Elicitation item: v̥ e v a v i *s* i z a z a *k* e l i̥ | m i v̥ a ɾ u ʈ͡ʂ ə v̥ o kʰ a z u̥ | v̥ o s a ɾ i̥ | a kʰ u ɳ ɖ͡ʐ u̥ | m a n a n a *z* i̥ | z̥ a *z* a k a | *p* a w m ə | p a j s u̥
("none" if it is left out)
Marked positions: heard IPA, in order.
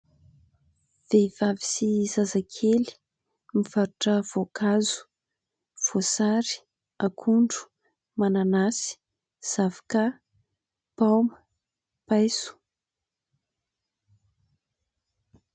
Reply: s, kʰ, s, v, p

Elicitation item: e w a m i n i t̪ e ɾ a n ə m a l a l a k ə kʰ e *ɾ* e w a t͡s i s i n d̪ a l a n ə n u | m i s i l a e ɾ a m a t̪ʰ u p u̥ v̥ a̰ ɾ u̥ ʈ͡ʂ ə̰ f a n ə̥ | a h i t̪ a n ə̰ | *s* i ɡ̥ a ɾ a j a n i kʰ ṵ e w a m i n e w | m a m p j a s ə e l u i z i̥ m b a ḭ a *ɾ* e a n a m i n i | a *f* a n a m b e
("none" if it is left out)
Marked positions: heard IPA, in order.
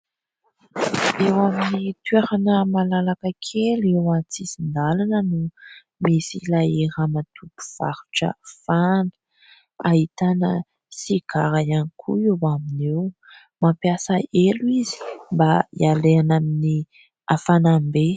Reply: l, s, l, f

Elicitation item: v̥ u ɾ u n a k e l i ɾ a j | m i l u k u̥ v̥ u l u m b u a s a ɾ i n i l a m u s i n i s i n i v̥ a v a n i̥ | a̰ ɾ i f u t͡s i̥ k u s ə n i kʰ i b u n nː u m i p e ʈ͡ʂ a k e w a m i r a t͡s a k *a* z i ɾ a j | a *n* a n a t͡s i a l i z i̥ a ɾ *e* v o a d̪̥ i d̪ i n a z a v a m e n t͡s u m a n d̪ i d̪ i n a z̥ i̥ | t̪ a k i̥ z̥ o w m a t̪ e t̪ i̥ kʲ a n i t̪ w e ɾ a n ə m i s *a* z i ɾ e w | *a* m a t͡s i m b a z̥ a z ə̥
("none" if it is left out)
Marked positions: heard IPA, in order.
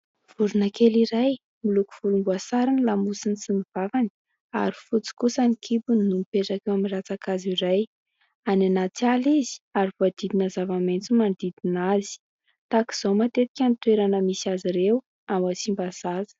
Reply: a, n, i, a, a

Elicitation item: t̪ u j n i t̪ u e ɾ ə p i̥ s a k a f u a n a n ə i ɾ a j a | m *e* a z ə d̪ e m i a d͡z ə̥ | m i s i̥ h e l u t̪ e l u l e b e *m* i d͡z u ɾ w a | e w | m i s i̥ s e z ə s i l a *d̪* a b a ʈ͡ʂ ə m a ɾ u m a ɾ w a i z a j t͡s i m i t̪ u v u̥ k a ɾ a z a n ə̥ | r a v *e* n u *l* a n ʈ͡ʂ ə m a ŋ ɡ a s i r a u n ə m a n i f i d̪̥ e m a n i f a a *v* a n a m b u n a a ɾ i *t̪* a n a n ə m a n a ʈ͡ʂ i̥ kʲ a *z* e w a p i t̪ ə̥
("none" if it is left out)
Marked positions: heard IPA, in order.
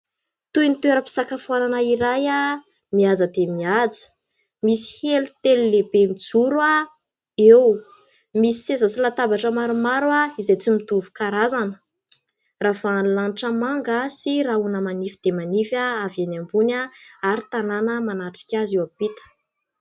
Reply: i, m, t̪, a, l, v, t̪, z

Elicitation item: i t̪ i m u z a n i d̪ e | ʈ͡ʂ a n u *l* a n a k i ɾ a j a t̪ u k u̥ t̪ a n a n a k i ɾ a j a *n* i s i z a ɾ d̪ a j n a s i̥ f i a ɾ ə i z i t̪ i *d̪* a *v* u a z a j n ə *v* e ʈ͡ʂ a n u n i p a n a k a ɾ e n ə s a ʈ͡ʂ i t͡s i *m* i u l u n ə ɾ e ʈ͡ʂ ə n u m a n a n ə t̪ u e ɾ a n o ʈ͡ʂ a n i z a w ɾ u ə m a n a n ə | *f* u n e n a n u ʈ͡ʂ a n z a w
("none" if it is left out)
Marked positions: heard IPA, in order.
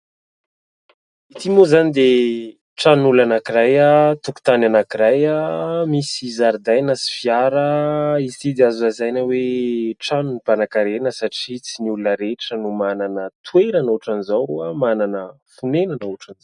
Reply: l, m, d̪, z, w, n, f

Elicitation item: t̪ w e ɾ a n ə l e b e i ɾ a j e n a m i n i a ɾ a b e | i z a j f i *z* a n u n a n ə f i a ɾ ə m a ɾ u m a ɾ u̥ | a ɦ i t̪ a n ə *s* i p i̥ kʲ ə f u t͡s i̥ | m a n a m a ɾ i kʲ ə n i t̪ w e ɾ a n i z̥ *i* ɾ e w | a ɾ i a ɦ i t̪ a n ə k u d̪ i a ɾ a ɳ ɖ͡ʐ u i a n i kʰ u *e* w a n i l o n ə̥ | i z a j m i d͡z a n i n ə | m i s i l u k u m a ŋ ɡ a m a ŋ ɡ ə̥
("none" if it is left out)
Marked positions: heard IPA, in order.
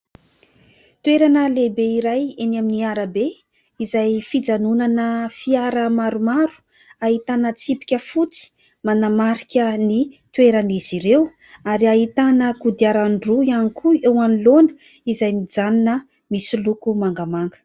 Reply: d͡z, t͡s, i, e

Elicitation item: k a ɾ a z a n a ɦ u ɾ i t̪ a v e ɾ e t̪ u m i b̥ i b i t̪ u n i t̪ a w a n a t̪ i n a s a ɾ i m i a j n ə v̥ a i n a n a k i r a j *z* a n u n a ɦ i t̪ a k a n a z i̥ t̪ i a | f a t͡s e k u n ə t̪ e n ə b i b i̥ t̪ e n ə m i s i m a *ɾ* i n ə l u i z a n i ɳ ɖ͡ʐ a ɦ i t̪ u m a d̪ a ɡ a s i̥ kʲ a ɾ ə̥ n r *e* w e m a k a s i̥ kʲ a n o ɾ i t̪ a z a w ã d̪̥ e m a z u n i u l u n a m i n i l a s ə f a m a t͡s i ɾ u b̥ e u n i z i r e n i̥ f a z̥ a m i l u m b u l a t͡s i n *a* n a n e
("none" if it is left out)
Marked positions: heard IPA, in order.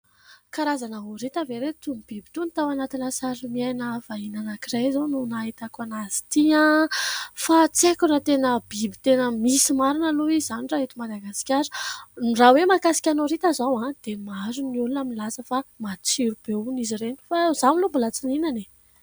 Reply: z, ɾ, a, i

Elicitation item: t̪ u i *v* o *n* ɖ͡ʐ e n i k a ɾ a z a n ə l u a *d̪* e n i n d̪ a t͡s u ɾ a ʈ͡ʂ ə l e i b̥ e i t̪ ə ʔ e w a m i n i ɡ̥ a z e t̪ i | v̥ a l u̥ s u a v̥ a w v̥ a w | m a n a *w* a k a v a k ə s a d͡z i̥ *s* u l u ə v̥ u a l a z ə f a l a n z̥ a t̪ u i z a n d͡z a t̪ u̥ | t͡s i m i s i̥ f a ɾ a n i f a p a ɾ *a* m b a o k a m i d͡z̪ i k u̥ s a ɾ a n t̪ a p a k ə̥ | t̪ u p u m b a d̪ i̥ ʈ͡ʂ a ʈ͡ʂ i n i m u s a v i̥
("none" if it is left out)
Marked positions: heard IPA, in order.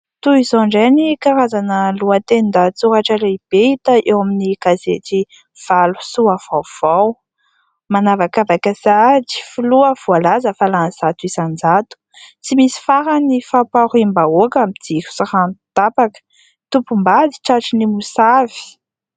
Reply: z, ɳ, t̪, v, f, i

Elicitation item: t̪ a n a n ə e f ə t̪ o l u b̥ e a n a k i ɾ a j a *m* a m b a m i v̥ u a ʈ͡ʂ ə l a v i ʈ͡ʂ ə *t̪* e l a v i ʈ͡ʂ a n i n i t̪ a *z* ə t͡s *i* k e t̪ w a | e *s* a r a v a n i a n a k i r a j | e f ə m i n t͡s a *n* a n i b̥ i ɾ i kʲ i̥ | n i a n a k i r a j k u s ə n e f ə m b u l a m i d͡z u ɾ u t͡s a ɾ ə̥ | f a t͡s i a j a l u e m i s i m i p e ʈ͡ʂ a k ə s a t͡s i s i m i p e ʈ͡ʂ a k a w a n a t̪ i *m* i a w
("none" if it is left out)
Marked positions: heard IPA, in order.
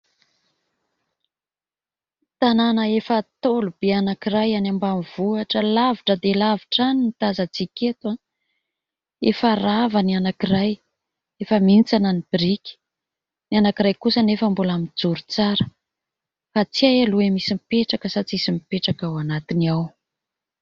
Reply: n, d̪, z, i, f, n, n

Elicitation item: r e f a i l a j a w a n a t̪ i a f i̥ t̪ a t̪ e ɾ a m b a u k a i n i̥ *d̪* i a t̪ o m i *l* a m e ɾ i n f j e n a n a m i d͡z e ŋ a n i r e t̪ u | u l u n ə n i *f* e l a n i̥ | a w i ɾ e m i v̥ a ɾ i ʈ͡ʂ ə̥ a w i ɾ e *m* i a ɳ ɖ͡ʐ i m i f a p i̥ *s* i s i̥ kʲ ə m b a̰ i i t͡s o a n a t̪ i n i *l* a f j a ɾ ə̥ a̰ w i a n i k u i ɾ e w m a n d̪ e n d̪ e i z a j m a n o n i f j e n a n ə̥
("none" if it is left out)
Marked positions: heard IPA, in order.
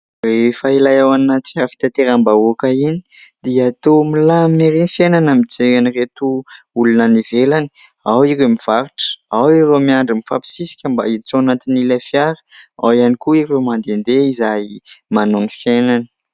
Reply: d̪, l, v, m, s, l

